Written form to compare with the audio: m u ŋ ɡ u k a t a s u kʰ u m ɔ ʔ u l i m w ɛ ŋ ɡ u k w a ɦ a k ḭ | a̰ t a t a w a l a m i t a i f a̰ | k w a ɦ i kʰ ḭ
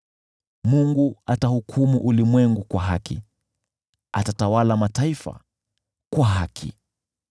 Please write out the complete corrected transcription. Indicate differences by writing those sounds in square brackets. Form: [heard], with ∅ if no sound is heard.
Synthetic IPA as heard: m u ŋ ɡ u [∅] a t a [h] u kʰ u m [u] ʔ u l i m w ɛ ŋ ɡ u k w a ɦ a k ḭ | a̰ t a t a w a l a m [a] t a i f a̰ | k w a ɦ [a] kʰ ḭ